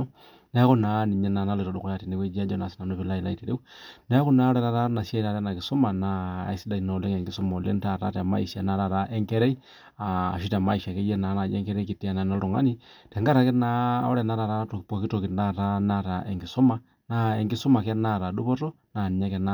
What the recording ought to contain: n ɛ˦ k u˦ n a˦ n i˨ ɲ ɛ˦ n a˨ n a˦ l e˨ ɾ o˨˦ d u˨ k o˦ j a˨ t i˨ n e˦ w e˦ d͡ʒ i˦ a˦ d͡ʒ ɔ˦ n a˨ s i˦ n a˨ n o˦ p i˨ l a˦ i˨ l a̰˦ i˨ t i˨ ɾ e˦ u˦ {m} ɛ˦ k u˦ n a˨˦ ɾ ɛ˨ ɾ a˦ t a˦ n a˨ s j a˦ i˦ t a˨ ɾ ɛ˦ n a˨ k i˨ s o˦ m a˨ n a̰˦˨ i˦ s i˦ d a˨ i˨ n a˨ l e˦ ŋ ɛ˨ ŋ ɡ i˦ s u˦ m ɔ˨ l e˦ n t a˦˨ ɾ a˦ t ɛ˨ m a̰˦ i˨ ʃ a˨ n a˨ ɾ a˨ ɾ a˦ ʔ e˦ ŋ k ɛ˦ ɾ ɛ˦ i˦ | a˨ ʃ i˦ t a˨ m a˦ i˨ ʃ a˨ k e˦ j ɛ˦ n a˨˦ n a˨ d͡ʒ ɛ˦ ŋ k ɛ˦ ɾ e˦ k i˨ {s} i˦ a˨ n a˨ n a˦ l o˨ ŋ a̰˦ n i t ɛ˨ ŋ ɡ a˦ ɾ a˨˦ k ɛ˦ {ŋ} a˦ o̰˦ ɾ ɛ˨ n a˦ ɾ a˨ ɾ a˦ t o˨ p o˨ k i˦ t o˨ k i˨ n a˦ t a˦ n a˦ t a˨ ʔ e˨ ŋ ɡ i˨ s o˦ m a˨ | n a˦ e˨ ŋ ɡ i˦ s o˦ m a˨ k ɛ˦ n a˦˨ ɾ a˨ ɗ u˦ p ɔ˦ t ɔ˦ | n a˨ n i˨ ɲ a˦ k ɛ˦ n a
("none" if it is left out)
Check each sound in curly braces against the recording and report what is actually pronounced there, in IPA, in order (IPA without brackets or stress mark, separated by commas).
n, t, n